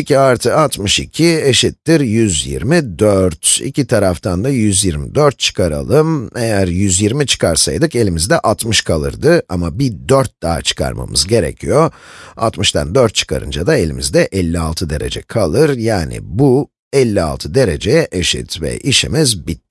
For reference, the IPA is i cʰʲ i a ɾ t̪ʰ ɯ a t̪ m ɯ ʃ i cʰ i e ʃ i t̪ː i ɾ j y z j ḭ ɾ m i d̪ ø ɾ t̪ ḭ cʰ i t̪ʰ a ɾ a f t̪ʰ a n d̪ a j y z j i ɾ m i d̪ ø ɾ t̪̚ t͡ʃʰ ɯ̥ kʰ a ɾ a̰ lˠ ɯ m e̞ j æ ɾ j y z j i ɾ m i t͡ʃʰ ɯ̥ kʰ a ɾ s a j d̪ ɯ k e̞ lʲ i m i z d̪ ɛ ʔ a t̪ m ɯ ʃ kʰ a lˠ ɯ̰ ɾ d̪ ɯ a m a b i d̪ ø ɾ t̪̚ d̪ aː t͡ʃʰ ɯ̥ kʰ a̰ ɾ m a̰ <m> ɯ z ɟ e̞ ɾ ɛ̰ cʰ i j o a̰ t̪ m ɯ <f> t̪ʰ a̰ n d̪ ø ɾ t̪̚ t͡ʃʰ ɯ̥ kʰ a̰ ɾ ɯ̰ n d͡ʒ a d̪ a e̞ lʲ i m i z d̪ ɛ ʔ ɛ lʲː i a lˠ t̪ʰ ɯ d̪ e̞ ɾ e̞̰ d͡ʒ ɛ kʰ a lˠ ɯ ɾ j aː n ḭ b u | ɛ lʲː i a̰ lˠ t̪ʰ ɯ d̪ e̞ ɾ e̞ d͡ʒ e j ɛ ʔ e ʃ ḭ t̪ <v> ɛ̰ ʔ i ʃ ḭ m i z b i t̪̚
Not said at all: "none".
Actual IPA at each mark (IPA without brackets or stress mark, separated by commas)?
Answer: m, ʃ, v